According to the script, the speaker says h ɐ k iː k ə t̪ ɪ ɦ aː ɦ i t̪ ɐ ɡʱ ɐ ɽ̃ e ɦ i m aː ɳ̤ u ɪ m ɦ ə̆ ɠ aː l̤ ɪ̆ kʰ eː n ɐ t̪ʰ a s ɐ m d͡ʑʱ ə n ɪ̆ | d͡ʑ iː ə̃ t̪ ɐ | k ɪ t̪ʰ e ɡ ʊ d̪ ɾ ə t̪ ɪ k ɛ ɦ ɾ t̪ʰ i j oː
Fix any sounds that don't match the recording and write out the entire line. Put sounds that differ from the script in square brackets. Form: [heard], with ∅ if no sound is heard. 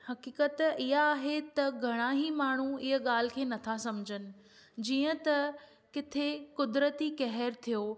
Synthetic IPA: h ɐ k iː k ə t̪ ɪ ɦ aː ɦ [e] t̪ ɐ ɡʱ ɐ ɽ̃ [a] ɦ i m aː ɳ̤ u ɪ [∅] ɦ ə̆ ɠ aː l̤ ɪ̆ kʰ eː n ɐ t̪ʰ a s ɐ m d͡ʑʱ ə n ɪ̆ | d͡ʑ iː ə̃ t̪ ɐ | k ɪ t̪ʰ e [k] ʊ d̪ ɾ ə t̪ [i] k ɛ ɦ ɾ t̪ʰ i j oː

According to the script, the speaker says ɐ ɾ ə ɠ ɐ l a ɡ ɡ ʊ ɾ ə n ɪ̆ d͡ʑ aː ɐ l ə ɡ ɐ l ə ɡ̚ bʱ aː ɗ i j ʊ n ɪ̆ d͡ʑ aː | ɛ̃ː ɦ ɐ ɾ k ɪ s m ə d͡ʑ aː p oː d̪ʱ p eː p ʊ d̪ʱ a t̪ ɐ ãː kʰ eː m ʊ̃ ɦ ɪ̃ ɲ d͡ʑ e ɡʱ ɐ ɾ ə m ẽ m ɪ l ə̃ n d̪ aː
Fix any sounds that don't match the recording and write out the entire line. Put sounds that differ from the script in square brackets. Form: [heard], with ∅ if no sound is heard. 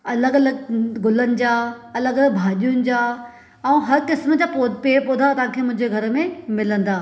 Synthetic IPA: ɐ [l] ə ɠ ɐ l [ə] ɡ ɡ ʊ [l] ə n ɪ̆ d͡ʑ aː ɐ l ə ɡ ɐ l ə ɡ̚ bʱ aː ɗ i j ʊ n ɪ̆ d͡ʑ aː | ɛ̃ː ɦ ɐ ɾ k ɪ s m ə d͡ʑ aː p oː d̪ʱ p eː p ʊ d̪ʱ a t̪ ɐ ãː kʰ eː m ʊ̃ ɦ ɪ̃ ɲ d͡ʑ e ɡʱ ɐ ɾ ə m ẽ m ɪ l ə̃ n d̪ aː

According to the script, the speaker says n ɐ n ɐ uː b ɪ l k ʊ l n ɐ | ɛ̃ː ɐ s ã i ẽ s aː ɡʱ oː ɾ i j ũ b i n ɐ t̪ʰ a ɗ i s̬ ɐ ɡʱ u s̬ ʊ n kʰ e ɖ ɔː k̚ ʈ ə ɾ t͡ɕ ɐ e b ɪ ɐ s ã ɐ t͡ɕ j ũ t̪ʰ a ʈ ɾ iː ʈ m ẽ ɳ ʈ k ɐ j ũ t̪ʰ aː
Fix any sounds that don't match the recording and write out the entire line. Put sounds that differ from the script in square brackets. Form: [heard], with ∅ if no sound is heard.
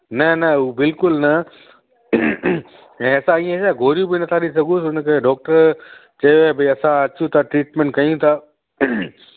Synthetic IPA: n ɐ n ɐ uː b ɪ l k ʊ l n ɐ | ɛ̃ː ɐ s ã i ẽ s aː ɡʱ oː ɾ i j ũ b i n ɐ t̪ʰ a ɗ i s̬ ɐ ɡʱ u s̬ ʊ n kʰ e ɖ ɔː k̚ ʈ ə ɾ t͡ɕ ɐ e b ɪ ɐ s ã ɐ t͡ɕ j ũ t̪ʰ a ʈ ɾ iː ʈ m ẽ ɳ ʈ k ɐ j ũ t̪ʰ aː

